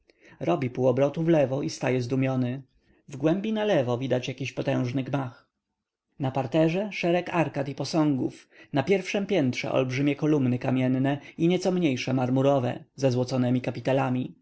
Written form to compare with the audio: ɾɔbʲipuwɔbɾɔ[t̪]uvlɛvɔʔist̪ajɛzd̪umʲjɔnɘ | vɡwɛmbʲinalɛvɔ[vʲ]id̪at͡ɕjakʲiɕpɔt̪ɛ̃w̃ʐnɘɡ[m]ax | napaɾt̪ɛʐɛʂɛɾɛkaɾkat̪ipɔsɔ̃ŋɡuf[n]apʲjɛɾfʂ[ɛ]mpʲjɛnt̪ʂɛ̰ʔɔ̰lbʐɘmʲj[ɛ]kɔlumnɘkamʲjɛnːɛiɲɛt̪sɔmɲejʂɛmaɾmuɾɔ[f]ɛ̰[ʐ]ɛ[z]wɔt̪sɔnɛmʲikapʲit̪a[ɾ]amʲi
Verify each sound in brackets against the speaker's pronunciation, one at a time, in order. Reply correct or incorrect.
correct, correct, correct, correct, correct, correct, incorrect, incorrect, correct, incorrect

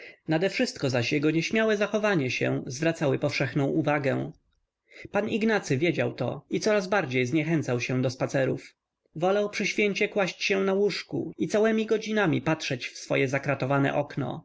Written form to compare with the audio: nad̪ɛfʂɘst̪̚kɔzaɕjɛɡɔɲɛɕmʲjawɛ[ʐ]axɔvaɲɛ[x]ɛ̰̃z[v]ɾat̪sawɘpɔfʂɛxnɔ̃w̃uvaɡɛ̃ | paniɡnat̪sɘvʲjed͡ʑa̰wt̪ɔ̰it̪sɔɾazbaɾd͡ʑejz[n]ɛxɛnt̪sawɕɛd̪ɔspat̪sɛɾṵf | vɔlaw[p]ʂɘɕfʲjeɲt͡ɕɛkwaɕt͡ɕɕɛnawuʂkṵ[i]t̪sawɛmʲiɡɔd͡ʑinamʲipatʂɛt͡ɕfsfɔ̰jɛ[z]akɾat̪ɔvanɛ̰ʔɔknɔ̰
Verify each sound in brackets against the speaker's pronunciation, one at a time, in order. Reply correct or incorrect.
incorrect, incorrect, correct, incorrect, correct, correct, correct

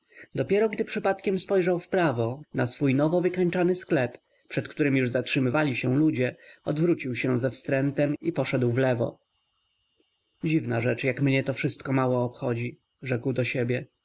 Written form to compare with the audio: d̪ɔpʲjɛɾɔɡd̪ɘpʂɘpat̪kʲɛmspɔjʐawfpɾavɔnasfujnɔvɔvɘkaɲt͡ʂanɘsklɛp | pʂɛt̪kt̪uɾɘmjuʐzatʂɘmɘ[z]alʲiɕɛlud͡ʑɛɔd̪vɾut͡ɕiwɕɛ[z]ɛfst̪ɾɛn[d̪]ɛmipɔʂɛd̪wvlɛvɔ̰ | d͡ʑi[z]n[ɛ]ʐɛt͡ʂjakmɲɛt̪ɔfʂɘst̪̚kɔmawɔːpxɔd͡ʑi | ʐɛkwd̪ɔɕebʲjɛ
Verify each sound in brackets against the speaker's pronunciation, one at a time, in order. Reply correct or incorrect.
incorrect, correct, incorrect, incorrect, incorrect

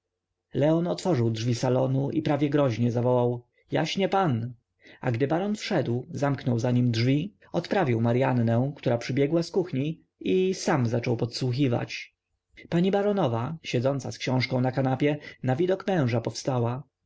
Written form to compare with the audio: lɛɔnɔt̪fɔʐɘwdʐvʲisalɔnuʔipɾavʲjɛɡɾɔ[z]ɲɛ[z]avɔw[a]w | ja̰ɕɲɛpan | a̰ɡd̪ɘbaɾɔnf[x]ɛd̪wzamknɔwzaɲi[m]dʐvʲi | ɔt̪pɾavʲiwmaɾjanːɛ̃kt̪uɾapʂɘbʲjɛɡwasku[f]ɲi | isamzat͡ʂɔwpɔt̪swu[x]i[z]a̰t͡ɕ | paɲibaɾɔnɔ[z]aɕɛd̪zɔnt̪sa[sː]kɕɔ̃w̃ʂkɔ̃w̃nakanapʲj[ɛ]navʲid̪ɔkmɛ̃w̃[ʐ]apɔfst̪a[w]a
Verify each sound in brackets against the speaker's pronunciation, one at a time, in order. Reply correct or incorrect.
incorrect, correct, correct, incorrect, correct, incorrect, correct, incorrect, incorrect, incorrect, correct, correct, correct

